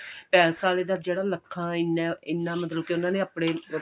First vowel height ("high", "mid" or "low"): mid